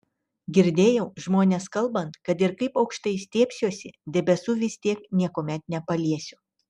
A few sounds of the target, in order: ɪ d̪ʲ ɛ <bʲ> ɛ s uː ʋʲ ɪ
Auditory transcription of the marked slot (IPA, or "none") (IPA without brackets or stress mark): bʲ